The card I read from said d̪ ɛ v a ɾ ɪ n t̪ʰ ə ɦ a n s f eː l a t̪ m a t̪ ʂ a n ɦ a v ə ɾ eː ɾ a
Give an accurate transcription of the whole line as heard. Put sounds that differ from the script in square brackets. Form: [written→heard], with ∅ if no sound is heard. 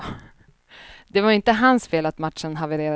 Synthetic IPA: d̪ ɛ v a ɾ ɪ n [t̪ʰ→t̪] ə ɦ a n s f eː l a t̪ m a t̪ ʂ [a→ə] n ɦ a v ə ɾ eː ɾ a